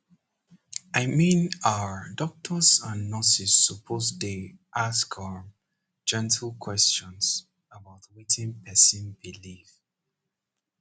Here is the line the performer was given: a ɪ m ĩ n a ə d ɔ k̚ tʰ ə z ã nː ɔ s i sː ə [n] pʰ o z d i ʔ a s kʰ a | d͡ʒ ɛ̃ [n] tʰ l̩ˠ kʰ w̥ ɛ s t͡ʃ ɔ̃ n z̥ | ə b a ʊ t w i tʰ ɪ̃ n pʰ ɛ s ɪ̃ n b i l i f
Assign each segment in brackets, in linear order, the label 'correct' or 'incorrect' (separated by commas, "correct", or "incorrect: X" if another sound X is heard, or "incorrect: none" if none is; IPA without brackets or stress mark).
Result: incorrect: none, correct